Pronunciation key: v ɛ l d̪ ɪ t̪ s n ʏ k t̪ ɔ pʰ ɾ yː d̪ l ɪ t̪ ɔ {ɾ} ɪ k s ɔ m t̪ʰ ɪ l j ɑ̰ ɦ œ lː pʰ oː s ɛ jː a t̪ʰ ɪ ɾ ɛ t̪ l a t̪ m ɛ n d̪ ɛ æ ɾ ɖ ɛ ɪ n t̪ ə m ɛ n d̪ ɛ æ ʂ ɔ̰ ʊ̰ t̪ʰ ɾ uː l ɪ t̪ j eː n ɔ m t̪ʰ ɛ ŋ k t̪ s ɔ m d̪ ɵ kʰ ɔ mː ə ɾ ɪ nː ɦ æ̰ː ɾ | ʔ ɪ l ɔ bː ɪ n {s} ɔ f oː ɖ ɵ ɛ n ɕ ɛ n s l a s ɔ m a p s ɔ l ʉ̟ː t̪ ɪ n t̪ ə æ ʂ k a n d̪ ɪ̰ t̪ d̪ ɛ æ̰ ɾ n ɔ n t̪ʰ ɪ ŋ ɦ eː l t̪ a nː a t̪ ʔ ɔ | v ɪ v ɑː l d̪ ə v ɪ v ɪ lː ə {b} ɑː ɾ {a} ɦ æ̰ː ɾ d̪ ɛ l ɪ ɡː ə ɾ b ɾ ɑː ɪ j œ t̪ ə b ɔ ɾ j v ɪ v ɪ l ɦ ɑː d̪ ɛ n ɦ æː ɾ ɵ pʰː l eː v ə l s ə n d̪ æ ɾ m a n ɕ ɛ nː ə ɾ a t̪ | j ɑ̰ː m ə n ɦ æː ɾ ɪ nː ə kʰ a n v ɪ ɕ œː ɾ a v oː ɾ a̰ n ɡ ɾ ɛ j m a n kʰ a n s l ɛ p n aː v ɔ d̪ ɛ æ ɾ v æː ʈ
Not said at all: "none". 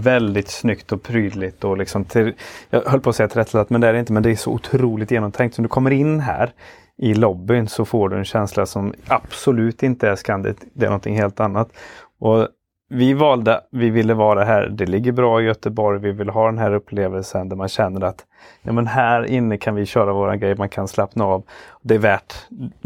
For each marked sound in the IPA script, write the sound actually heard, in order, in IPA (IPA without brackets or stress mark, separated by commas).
l, s, v, a